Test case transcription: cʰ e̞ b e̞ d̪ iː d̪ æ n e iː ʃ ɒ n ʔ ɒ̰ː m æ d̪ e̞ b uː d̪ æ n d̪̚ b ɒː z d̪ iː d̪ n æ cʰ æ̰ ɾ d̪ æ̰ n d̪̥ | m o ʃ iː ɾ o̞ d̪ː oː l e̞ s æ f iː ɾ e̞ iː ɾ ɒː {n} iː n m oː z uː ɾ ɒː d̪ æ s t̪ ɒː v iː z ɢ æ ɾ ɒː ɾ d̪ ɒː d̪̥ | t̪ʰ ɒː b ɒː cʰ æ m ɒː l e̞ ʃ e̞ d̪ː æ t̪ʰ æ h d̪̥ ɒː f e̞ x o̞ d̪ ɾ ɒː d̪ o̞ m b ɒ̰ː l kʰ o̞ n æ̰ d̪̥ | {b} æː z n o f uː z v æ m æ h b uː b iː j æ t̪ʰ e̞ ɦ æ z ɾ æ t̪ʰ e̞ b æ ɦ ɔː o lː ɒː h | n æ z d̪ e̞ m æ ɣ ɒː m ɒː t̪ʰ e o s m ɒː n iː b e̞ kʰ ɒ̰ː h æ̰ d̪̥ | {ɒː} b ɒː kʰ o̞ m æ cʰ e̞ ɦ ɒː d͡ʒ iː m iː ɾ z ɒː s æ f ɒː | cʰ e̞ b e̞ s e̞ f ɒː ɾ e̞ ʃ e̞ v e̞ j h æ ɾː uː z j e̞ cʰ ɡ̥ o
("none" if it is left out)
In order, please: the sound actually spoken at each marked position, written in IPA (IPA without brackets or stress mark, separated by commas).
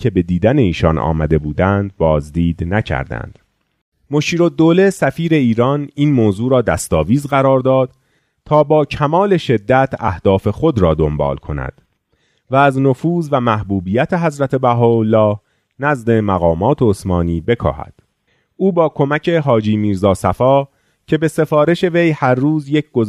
n, v, uː